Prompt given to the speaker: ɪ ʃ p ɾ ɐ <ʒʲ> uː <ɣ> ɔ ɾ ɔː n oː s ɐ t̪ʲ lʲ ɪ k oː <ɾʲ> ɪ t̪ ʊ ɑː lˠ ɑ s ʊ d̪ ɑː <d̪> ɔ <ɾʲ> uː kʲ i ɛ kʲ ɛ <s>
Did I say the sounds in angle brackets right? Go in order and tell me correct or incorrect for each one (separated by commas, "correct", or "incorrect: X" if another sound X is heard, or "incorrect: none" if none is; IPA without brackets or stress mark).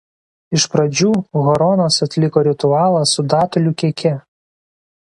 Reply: incorrect: d͡ʒʲ, correct, correct, incorrect: t̪, incorrect: lʲ, incorrect: none